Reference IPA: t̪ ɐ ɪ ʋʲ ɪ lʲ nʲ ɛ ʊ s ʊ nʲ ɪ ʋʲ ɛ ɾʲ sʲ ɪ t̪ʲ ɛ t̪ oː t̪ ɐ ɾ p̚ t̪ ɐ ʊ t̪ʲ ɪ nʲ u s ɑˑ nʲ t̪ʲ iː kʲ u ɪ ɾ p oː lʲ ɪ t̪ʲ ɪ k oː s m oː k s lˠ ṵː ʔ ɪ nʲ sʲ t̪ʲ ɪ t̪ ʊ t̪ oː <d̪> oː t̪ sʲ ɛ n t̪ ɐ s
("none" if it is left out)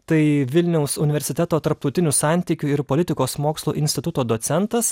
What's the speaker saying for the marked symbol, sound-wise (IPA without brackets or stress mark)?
d̪